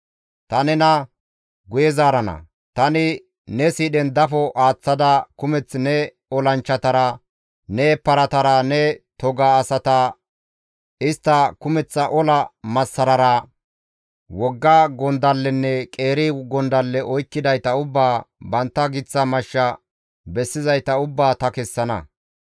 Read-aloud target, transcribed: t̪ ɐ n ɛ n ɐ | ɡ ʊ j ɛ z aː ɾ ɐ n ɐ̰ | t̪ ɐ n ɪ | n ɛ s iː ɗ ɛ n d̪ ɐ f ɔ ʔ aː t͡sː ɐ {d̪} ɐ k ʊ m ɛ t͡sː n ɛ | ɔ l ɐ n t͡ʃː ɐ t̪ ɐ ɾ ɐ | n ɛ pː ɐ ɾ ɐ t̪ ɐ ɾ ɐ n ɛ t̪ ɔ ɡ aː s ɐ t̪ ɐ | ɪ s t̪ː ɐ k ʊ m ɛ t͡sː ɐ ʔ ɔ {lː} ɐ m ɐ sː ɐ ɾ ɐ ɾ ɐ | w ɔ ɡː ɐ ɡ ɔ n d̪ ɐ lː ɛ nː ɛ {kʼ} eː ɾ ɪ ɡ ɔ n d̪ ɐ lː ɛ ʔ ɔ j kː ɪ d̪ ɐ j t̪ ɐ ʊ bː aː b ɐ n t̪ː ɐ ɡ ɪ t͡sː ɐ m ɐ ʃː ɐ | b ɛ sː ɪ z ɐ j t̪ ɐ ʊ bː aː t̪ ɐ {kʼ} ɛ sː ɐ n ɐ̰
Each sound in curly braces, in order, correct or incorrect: correct, incorrect: l, correct, incorrect: k

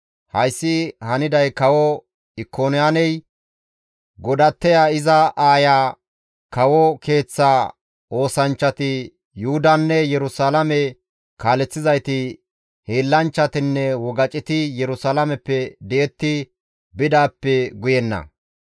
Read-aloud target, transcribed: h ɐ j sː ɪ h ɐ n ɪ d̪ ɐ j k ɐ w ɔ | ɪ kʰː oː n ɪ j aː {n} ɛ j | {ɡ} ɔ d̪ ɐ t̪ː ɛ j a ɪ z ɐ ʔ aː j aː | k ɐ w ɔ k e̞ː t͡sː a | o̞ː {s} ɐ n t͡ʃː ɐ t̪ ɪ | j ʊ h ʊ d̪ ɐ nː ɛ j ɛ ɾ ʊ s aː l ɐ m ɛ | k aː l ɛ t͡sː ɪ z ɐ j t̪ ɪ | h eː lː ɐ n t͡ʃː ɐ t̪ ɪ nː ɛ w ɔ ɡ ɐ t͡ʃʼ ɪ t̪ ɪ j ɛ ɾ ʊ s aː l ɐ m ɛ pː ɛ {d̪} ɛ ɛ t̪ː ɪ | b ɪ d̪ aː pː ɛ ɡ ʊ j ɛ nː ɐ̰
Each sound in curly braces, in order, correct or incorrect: correct, correct, correct, correct

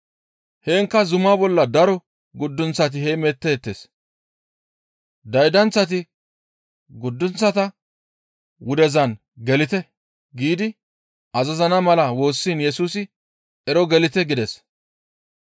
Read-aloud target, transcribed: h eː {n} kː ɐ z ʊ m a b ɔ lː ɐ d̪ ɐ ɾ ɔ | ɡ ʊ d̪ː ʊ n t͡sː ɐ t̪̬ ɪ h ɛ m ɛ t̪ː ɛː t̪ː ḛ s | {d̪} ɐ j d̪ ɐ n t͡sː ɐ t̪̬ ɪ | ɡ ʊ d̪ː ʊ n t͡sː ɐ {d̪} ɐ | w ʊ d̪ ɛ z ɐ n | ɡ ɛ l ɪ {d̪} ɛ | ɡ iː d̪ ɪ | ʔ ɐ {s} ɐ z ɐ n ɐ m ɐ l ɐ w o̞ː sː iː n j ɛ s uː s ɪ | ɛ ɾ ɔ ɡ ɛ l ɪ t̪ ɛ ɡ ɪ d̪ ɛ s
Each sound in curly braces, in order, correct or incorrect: incorrect: ŋ, correct, incorrect: t̪, incorrect: t̪, incorrect: z

